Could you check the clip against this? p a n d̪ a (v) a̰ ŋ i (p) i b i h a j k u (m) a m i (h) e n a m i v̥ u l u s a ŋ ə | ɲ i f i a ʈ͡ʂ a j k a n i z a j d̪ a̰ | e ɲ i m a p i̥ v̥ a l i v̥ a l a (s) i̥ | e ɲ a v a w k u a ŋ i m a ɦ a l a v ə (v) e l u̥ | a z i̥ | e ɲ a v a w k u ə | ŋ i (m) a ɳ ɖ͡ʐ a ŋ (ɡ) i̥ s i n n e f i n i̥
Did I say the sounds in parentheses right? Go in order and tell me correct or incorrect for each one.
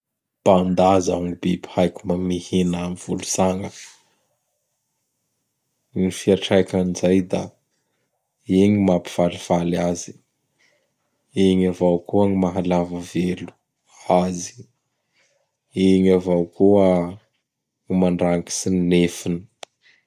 incorrect: z, incorrect: b, correct, correct, incorrect: z, correct, correct, incorrect: k

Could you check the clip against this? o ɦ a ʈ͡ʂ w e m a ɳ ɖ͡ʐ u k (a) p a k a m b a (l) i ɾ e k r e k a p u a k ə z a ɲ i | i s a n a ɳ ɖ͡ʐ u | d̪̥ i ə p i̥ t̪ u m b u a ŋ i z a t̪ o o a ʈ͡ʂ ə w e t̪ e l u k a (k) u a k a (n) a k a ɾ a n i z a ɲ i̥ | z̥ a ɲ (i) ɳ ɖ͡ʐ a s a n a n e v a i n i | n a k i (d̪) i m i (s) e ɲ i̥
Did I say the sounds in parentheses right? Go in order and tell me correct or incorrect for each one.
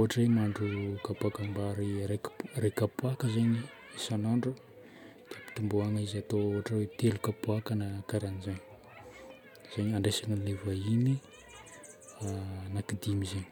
correct, incorrect: ɾ, incorrect: p, correct, incorrect: a, correct, incorrect: z

